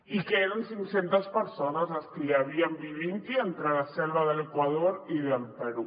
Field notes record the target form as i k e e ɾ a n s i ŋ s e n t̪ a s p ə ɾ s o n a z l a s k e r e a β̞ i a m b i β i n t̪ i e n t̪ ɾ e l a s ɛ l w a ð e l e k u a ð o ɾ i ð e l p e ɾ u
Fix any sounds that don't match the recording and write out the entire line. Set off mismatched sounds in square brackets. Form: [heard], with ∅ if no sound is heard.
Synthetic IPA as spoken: i k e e ɾ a n s i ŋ s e n t̪ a s p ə ɾ s o n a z l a s k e [l] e a β̞ i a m b i β i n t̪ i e n t̪ ɾ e l a s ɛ l [β] a ð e l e k [w] a ð o ɾ i ð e l p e ɾ u